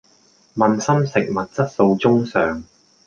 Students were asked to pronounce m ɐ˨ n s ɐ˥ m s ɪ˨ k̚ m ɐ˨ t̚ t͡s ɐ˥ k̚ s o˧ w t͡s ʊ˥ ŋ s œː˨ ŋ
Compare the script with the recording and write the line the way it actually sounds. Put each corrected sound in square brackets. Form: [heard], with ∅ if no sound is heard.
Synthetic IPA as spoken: m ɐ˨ n s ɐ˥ m s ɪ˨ k̚ m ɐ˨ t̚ t͡s ɐ˥ [t̚] s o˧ w t͡s ʊ˥ ŋ s œː˨ ŋ